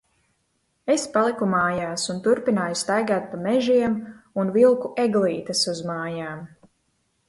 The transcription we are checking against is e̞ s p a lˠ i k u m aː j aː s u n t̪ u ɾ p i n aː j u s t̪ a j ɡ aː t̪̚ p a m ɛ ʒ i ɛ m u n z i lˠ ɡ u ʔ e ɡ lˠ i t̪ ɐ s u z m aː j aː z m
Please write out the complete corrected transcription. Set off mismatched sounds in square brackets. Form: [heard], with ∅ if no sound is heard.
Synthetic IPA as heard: e̞ s p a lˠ i k u m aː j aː s u n t̪ u ɾ p i n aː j u s t̪ a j ɡ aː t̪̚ p a m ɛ ʒ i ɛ m u n [v] i lˠ [k] u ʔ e ɡ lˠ [iː] t̪ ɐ s u z m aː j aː [∅] m

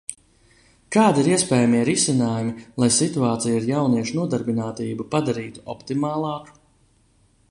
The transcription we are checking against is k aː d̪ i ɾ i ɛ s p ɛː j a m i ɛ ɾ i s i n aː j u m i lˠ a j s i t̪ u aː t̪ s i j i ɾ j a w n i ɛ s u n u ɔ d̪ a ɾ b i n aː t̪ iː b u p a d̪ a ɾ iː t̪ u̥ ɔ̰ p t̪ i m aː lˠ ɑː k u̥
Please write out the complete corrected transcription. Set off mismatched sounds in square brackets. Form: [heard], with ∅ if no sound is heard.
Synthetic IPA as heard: k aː d̪ i ɾ i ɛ s p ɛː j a m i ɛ ɾ i s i n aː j u m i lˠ a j s i t̪ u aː t̪ s i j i ɾ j a w n i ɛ [ʃ] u n u ɔ d̪ a ɾ b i n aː t̪ iː b u p a d̪ a ɾ iː t̪ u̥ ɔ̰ p t̪ i m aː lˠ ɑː k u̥

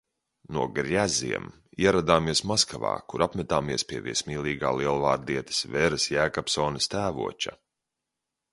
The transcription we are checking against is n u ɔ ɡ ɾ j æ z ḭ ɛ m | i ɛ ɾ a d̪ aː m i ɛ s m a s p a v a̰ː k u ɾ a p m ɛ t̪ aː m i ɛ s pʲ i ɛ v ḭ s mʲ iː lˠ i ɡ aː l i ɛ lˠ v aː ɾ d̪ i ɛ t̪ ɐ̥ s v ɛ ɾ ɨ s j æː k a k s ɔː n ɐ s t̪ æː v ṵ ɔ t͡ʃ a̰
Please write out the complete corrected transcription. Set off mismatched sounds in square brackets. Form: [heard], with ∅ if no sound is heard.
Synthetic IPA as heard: n u ɔ ɡ ɾ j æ z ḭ ɛ m | i ɛ ɾ a d̪ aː m i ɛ s m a s [k] a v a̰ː k u ɾ a p m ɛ t̪ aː m i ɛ s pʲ i ɛ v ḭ s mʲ iː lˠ [iː] ɡ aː l i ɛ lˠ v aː ɾ d̪ i ɛ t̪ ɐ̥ s v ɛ ɾ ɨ s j æː k a [p] s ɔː n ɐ s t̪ æː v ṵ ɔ t͡ʃ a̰

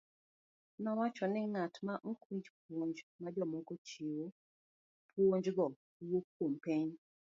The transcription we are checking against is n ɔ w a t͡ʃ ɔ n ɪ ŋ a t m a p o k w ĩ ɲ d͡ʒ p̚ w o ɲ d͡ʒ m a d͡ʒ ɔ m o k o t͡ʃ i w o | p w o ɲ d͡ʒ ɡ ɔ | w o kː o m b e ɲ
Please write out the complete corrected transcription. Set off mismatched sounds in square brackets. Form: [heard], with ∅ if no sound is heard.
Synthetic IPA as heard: n ɔ w a t͡ʃ ɔ n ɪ ŋ a t m a [ʔ] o k w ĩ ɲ d͡ʒ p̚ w o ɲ d͡ʒ m a d͡ʒ ɔ m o k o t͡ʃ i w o | p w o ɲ d͡ʒ ɡ ɔ | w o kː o m [p] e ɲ

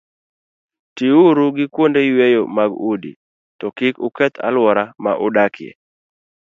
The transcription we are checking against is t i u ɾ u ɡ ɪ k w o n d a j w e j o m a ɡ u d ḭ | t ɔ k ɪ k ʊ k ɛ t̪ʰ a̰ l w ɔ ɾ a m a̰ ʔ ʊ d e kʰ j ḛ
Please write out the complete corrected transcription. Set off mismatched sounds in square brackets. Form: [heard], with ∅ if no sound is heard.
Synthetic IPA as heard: t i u ɾ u ɡ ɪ k w o n d [e] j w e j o m a ɡ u d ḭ | t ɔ k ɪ k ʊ k ɛ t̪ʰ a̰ l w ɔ ɾ a m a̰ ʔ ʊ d [a] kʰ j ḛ

